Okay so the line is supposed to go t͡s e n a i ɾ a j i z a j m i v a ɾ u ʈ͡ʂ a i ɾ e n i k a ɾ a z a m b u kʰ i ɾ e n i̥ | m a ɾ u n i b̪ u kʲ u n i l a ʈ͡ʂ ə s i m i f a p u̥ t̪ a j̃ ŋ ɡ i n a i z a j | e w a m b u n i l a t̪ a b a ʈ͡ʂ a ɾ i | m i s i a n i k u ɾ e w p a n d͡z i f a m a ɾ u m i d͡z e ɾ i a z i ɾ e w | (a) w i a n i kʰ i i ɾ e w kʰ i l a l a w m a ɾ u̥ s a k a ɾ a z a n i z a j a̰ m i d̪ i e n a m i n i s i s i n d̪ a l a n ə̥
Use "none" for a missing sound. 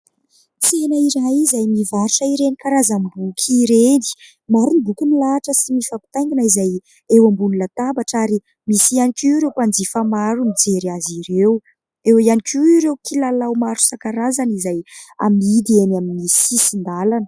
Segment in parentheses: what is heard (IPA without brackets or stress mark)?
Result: e